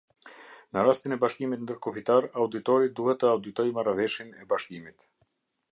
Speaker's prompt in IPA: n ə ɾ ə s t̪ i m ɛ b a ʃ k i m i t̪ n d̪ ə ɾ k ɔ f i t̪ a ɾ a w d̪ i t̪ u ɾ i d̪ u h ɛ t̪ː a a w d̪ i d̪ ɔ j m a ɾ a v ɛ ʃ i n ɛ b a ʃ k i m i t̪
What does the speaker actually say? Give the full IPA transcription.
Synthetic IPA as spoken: n ə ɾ a s t̪ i n ɛ b a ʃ k i m i t̪ n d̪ ə ɾ k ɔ f i t̪ a ɾ a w d̪ i t̪ ɔ ɾ i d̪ u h ɛ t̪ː ə a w d̪ i t̪ ɔ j m a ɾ a v ɛ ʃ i n ɛ b a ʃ k i m i t̪